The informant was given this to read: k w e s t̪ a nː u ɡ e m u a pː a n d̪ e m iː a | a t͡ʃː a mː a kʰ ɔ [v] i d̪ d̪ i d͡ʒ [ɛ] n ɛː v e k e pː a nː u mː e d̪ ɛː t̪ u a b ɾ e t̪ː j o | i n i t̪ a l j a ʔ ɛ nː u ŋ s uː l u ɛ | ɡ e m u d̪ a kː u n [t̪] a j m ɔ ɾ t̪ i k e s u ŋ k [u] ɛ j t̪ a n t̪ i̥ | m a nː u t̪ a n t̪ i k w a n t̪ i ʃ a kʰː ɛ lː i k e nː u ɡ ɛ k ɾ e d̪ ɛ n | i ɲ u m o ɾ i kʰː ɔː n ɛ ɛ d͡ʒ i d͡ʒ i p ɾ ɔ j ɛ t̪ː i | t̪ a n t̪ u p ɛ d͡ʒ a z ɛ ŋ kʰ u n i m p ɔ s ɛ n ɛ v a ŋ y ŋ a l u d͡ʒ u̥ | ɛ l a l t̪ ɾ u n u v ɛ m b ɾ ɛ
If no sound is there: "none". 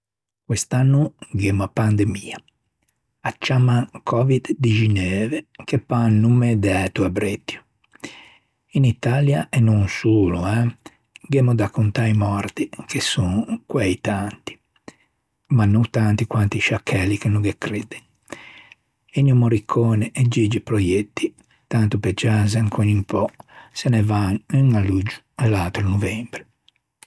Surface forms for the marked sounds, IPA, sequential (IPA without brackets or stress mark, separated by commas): v, i, t̪, w